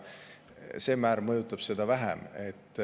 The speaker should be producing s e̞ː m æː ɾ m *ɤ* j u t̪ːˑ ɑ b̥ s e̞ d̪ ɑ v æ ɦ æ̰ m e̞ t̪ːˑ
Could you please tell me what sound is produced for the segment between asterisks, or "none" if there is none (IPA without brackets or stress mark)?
ɤ